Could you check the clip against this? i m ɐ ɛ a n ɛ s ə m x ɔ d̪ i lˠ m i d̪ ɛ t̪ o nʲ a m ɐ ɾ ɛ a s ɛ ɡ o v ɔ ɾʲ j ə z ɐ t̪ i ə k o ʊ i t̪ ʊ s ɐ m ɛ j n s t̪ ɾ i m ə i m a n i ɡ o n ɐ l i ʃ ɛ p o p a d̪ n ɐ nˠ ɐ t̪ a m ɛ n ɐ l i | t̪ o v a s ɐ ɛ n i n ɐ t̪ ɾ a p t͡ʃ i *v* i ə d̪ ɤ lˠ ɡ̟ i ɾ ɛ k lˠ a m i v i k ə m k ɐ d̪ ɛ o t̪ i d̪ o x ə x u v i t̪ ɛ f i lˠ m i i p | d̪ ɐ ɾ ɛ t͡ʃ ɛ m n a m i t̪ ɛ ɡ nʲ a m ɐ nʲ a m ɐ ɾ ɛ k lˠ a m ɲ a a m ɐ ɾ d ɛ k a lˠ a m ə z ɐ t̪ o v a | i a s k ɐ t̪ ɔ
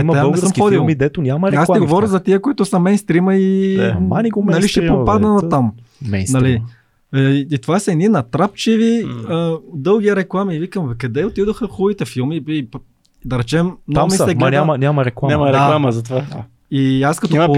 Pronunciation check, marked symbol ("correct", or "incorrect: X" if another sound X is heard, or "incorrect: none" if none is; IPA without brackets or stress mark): correct